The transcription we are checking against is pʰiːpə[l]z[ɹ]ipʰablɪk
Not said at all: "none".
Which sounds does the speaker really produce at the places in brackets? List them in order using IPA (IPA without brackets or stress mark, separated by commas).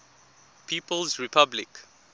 l, ɹ